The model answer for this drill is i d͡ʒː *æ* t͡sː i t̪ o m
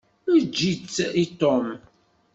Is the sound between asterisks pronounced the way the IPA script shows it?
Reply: no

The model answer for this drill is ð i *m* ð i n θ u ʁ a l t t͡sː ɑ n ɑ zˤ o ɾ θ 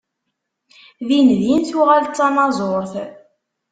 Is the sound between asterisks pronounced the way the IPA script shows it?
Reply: no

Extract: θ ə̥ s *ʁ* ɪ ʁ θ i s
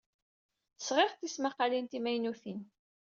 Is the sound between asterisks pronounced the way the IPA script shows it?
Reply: yes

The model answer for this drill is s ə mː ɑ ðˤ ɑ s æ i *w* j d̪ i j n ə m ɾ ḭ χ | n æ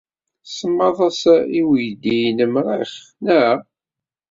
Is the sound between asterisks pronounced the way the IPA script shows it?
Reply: yes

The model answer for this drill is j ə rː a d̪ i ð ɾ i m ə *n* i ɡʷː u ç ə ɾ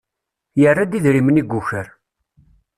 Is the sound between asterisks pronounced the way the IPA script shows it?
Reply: yes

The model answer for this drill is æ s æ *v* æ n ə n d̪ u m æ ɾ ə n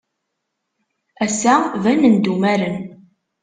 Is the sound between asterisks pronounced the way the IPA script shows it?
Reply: yes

